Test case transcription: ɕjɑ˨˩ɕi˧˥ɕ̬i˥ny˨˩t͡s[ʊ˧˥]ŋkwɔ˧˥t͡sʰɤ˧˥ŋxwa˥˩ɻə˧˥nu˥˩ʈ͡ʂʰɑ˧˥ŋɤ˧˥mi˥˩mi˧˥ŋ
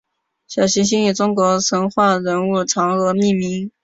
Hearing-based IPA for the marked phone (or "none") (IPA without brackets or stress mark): ʊ˥